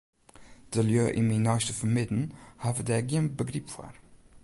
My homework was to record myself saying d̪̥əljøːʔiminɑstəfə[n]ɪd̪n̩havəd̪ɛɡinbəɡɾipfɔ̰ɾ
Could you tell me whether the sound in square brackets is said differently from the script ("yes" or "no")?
yes